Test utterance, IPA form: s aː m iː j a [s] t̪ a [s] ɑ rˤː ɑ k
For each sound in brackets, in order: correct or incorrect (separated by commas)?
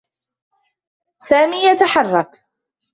incorrect, incorrect